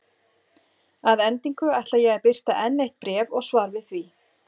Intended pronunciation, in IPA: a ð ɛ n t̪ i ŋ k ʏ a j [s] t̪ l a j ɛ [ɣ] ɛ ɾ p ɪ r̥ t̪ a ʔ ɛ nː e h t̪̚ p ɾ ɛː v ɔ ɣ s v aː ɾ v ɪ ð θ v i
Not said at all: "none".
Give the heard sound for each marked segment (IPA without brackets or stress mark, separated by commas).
h, ɣ